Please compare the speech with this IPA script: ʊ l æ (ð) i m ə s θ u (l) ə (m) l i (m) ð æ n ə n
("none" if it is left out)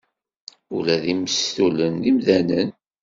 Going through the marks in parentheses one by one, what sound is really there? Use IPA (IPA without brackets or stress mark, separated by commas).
ð, l, n, m